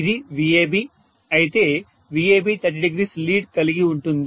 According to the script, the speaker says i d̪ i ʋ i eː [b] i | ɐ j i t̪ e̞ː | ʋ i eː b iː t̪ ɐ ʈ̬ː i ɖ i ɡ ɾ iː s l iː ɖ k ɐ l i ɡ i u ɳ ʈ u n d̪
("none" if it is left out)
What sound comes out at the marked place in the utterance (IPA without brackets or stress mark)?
b